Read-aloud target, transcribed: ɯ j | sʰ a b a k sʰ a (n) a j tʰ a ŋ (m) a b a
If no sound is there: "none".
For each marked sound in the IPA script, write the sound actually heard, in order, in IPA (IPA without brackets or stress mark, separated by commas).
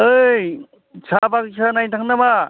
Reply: n, n